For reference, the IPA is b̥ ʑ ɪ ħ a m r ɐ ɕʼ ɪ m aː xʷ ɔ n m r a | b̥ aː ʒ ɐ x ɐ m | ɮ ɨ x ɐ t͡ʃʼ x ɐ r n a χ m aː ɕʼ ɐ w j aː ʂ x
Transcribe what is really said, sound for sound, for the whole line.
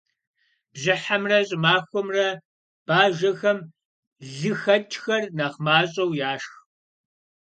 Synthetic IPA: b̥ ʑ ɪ ħ a m r ɐ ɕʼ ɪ m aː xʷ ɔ m r ɐ | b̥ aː ʒ ɐ x ɐ m | ɮ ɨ x ɐ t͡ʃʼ x ɐ r n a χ m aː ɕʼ ɐ w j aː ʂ x